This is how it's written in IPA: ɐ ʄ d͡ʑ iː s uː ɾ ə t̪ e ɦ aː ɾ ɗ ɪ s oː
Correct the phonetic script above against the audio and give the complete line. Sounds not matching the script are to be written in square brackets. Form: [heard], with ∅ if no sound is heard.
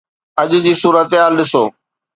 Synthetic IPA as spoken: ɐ ʄ d͡ʑ iː s uː ɾ ə t̪ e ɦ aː [l] ɗ ɪ s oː